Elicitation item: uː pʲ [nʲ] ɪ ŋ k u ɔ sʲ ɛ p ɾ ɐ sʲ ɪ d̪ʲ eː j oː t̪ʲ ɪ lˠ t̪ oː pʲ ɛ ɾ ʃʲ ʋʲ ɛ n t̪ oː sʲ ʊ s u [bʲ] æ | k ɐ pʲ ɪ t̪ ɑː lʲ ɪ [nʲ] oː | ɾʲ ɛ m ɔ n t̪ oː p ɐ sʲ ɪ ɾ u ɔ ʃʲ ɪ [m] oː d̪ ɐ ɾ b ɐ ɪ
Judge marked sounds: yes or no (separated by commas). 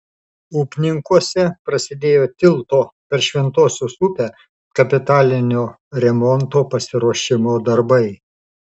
yes, no, yes, yes